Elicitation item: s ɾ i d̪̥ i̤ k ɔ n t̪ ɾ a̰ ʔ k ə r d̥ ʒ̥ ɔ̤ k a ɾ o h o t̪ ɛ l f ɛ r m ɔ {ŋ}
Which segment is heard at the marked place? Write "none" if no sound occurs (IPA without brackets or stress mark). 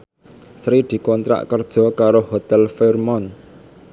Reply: n